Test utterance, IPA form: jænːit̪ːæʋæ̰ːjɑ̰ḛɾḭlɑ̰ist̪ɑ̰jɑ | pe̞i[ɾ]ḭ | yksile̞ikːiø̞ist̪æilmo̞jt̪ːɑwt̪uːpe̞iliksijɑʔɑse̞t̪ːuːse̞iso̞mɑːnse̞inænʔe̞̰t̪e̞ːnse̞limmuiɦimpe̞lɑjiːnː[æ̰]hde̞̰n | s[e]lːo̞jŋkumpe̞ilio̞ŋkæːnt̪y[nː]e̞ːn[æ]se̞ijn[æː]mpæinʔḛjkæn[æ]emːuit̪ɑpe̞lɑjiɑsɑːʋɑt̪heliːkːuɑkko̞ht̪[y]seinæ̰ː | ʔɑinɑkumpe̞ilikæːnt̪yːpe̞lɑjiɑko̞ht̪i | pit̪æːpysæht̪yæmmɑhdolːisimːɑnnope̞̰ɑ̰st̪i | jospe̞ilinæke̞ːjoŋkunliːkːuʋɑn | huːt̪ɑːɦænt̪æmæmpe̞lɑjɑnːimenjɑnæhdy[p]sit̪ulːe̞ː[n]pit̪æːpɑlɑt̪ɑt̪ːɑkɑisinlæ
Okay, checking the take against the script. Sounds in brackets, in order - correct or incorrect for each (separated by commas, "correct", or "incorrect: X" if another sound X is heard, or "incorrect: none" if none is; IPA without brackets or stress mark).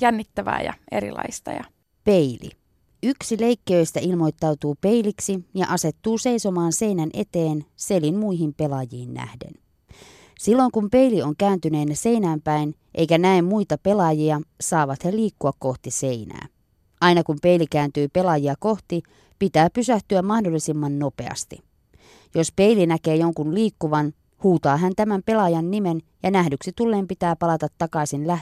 incorrect: l, correct, incorrect: i, incorrect: n, correct, correct, correct, incorrect: i, incorrect: k, incorrect: m